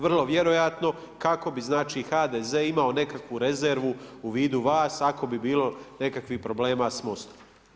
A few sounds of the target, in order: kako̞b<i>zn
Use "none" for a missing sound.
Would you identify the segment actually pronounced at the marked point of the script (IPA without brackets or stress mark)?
i